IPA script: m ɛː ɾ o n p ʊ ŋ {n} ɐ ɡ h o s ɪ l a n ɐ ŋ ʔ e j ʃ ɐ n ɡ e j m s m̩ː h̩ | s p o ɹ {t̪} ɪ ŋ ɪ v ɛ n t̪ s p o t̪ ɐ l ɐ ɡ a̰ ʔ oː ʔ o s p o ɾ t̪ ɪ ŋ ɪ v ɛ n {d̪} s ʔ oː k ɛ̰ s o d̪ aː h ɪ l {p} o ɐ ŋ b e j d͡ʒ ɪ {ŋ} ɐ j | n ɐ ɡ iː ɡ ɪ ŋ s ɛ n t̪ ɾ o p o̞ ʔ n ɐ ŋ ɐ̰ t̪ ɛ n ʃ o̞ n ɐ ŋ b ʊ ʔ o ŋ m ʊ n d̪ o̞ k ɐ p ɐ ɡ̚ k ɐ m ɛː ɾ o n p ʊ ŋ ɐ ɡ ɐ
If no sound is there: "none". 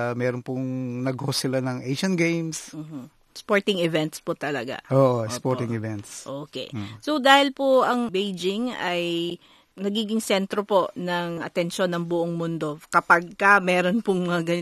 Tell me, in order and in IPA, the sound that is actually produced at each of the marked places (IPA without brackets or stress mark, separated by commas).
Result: n, t̪, t̪, p, ŋ